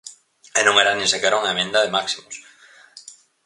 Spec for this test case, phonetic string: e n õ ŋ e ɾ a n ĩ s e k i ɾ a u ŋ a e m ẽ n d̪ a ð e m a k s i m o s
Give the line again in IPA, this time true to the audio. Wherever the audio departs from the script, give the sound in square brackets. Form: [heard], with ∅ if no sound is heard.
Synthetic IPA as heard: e n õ ŋ e ɾ a n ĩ s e k [e] ɾ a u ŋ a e m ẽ n d̪ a ð e m a k s i m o s